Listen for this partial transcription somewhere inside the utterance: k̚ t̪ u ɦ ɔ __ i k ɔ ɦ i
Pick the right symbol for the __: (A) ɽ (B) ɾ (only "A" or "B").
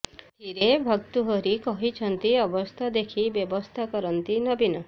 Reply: B